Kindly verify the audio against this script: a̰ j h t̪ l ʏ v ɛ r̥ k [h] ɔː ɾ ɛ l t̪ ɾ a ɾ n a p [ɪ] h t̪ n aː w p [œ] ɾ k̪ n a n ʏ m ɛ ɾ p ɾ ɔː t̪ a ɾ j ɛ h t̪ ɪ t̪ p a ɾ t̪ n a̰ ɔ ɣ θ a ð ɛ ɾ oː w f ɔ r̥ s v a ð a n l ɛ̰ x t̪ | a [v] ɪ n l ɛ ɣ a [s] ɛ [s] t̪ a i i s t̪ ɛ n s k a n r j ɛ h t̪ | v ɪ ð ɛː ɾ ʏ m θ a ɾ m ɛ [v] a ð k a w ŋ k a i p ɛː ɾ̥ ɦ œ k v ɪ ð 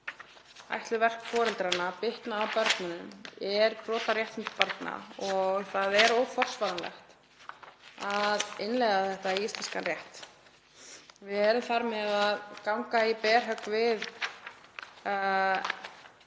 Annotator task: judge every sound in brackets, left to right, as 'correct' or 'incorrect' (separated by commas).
incorrect, correct, correct, incorrect, incorrect, incorrect, incorrect